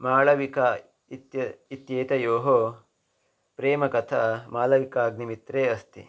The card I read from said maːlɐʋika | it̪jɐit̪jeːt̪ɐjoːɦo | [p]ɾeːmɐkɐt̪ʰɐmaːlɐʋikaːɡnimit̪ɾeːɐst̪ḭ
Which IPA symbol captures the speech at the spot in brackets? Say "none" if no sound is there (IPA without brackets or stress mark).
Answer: p